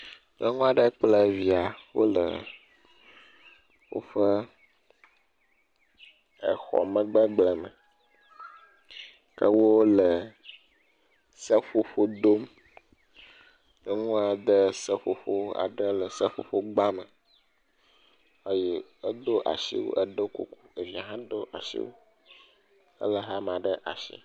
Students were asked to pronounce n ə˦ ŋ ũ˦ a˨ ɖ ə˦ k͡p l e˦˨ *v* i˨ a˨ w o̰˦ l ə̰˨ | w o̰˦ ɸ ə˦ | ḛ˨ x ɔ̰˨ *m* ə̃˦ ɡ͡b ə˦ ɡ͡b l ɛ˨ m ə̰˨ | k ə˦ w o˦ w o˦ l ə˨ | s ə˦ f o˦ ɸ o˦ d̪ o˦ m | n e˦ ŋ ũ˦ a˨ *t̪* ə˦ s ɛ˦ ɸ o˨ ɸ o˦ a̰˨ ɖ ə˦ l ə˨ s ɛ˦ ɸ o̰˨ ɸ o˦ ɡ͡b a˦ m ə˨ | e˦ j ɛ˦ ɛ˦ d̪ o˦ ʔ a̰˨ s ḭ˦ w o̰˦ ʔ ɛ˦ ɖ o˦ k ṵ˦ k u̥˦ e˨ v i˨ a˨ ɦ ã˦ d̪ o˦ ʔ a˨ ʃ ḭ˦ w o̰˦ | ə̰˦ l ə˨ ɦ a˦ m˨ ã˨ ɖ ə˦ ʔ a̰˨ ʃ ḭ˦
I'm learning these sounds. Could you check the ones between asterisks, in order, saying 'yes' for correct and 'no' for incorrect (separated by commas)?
yes, yes, no